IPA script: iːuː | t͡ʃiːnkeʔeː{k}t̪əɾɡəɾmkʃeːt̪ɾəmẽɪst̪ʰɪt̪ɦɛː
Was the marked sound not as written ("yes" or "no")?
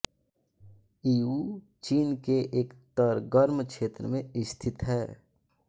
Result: no